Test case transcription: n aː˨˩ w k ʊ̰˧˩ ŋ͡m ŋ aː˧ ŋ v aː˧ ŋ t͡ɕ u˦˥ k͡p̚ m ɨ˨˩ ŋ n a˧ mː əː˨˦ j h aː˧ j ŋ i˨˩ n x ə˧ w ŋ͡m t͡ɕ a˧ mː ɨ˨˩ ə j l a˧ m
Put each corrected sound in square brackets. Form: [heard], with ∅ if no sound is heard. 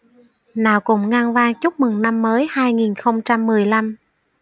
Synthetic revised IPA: n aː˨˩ w k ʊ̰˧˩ ŋ͡m ŋ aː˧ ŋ v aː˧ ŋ t͡ɕ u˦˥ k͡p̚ m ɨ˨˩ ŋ n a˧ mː əː˨˦ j h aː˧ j ŋ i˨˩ n x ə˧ w ŋ͡m t͡ɕ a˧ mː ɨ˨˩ ə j l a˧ m